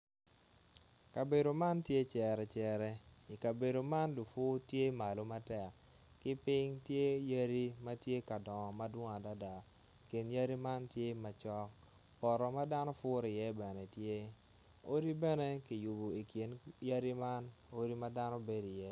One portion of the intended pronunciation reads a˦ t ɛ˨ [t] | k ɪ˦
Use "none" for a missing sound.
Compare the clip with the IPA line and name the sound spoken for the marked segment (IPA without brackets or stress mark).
k